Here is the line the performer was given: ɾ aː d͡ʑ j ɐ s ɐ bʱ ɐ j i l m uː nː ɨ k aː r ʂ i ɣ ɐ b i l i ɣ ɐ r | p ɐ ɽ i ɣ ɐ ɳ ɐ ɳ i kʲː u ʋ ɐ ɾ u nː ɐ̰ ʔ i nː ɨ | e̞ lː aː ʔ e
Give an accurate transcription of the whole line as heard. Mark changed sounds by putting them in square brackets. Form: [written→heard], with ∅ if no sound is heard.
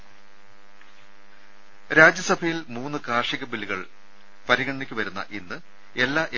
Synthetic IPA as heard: ɾ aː d͡ʑ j ɐ s ɐ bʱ ɐ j i l m uː nː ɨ k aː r ʂ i ɣ ɐ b i l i ɣ ɐ [r→ɭ] | p ɐ [ɽ→ɾ] i ɣ ɐ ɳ ɐ ɳ i kʲː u ʋ ɐ ɾ u nː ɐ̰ ʔ i nː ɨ | e̞ lː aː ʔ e